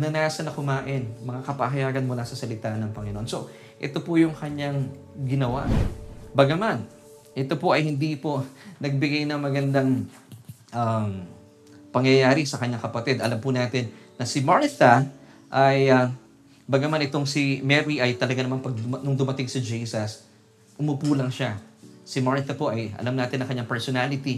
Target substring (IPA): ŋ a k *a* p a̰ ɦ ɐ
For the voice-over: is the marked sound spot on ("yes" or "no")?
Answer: no